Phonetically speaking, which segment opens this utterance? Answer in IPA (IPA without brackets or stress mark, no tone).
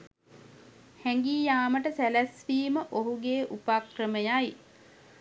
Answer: h